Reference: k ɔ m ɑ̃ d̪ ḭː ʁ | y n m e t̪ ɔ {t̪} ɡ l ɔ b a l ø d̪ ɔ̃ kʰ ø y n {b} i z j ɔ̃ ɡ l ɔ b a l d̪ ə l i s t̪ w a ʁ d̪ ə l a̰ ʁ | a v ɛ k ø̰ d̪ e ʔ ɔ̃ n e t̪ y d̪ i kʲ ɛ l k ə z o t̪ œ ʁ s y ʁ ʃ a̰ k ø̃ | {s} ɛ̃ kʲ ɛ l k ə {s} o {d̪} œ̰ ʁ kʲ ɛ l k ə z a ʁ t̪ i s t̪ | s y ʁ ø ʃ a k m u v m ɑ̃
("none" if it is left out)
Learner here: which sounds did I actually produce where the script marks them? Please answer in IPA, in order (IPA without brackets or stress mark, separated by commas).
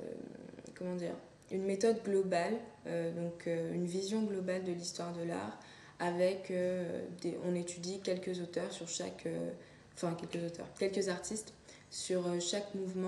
d̪, v, f, z, t̪